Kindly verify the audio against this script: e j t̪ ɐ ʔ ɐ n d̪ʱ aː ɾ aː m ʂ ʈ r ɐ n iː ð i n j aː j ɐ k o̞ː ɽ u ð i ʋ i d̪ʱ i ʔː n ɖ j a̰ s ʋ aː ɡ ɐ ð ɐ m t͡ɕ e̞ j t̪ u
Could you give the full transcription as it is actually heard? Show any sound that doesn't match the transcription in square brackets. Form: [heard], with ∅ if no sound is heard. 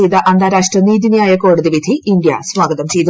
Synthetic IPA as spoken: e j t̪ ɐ ʔ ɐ n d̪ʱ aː ɾ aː [∅] ʂ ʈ r ɐ n iː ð i n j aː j ɐ k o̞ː ɽ u ð i ʋ i d̪ʱ i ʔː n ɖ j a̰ s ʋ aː ɡ ɐ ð ɐ m t͡ɕ e̞ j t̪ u

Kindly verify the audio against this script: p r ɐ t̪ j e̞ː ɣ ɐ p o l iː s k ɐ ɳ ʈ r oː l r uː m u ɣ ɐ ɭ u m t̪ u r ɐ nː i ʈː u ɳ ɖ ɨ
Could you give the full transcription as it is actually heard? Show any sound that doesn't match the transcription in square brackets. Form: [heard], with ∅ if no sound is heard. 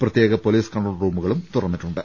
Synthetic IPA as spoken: p r ɐ t̪ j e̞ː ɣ ɐ p o l iː s k ɐ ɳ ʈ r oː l r uː m u ɣ ɐ ɭ u m t̪ u r ɐ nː i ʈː u ɳ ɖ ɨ

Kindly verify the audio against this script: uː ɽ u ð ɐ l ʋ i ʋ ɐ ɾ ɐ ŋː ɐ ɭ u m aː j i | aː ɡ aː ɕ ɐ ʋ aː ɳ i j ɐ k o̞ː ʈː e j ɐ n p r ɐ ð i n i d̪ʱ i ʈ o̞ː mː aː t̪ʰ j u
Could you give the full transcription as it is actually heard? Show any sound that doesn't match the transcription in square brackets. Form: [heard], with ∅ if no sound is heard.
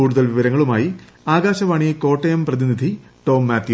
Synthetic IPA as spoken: uː ɽ u ð ɐ l ʋ i ʋ ɐ ɾ ɐ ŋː ɐ ɭ u m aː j i | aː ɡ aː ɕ ɐ ʋ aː ɳ i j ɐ k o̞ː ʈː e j ɐ [m] p r ɐ ð i n i d̪ʱ i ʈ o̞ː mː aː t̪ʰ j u

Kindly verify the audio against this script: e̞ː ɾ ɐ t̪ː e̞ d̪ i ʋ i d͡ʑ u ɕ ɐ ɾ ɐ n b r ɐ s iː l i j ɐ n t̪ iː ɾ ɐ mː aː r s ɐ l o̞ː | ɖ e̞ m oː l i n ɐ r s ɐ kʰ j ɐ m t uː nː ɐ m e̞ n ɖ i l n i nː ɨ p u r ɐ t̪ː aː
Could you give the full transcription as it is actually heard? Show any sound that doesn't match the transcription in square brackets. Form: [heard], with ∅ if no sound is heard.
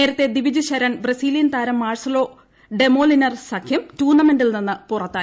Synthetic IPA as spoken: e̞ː ɾ ɐ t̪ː e̞ d̪ i ʋ i d͡ʑ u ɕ ɐ ɾ ɐ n b r ɐ s iː l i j ɐ n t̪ [aː] ɾ ɐ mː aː r s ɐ l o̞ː | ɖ e̞ m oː l i n ɐ r s ɐ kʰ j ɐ m t uː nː ɐ m e̞ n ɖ i l n i nː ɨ p u r ɐ t̪ː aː

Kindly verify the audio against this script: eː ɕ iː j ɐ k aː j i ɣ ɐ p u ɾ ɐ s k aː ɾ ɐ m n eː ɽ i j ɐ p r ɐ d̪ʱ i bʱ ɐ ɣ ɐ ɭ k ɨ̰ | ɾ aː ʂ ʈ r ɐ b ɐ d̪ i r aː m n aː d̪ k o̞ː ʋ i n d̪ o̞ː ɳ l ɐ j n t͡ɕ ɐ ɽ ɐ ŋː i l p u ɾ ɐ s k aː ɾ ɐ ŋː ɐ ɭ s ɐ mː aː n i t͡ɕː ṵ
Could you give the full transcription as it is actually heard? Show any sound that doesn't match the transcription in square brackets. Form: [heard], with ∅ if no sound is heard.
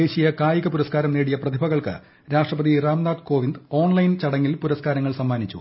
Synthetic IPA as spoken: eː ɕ [i] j ɐ k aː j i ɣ ɐ p u ɾ ɐ s k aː ɾ ɐ m n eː ɽ i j ɐ p r ɐ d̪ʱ i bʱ ɐ ɣ ɐ ɭ k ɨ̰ | ɾ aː ʂ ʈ r ɐ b ɐ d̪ i r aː m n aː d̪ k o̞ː ʋ i n d̪ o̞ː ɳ l ɐ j n t͡ɕ ɐ ɽ ɐ ŋː i l p u ɾ ɐ s k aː ɾ ɐ ŋː ɐ ɭ s ɐ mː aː n i t͡ɕː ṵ

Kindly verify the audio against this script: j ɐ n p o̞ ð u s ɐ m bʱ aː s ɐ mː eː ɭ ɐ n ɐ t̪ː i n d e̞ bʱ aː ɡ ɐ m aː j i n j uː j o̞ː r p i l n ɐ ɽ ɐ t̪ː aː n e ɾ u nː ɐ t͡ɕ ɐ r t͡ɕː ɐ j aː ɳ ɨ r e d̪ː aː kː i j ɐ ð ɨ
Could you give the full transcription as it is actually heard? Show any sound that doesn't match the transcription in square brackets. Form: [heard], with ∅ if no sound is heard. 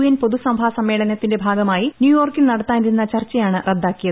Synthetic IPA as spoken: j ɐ n p o̞ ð u s ɐ m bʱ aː s ɐ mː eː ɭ ɐ n ɐ t̪ː i n d e̞ bʱ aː ɡ ɐ m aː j i n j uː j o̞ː r [k] i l n ɐ ɽ ɐ t̪ː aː n [i] ɾ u nː ɐ t͡ɕ ɐ r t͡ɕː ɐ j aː ɳ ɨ r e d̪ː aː kː i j ɐ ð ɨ

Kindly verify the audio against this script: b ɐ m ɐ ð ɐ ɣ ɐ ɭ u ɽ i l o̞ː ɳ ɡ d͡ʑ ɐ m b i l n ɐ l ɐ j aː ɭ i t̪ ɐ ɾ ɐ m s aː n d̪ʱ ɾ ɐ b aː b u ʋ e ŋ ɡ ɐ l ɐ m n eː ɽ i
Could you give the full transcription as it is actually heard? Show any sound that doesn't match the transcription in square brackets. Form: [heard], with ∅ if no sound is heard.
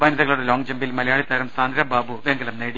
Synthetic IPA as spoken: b ɐ [n] ɐ ð ɐ ɣ ɐ ɭ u ɽ [e] l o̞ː [ŋ] ɡ d͡ʑ ɐ m b i l [m] ɐ l ɐ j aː ɭ i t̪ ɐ ɾ ɐ m s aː n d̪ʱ ɾ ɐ b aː b u ʋ e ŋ ɡ ɐ l ɐ m n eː ɽ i

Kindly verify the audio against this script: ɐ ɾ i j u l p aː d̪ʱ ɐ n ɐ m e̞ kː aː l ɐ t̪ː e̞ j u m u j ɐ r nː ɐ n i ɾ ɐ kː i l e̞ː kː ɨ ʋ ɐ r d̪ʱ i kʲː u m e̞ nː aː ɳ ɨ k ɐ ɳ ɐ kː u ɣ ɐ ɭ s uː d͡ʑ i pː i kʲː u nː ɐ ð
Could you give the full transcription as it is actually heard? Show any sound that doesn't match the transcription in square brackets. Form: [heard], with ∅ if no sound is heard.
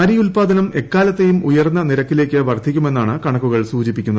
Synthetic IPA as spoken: ɐ ɾ i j u l p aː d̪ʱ ɐ n ɐ m e̞ kː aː l ɐ t̪ː e̞ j u m u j ɐ r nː ɐ n i ɾ ɐ kː i l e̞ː kː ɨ ʋ ɐ r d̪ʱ i kʲː u m e̞ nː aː ɳ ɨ k ɐ ɳ ɐ kː u ɣ ɐ ɭ s uː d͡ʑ i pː i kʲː u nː ɐ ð

